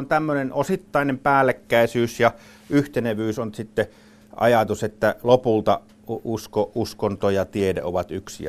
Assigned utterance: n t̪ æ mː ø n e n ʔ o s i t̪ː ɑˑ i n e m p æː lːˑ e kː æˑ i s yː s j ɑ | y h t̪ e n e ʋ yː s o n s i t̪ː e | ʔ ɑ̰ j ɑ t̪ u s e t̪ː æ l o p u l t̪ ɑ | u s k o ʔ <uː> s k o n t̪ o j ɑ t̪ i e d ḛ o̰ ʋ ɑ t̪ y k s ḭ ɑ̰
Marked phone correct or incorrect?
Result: incorrect